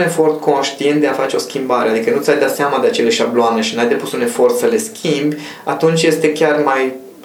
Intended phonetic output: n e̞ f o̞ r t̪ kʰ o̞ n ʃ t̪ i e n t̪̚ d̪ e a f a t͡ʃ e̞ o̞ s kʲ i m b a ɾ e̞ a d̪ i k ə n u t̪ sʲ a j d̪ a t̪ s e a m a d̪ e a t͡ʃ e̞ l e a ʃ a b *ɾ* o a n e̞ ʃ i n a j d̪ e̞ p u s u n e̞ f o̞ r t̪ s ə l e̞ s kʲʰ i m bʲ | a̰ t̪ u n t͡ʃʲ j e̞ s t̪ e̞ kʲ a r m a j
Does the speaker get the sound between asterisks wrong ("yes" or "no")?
yes